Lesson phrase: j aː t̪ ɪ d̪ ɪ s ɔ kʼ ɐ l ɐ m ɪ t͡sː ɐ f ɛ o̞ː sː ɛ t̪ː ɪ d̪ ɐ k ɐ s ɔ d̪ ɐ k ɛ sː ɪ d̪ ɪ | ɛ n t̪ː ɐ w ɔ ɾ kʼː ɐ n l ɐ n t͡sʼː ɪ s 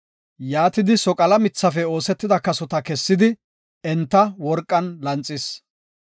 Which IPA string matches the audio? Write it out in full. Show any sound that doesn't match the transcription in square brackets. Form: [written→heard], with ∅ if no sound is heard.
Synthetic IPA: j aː t̪ ɪ d̪ ɪ s ɔ kʼ ɐ l ɐ m ɪ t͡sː ɐ f ɛ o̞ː [sː→s] ɛ t̪ː ɪ d̪ ɐ k ɐ s ɔ [d̪→t̪] ɐ k ɛ sː ɪ d̪ ɪ | ɛ n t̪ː ɐ w ɔ ɾ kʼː ɐ n l ɐ n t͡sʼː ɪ s